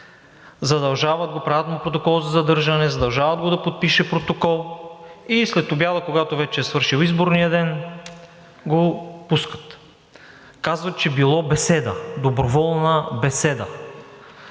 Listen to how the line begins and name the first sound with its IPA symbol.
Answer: z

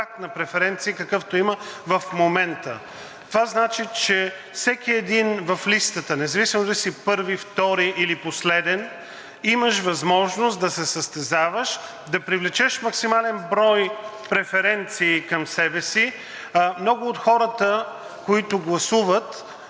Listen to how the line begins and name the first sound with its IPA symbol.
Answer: a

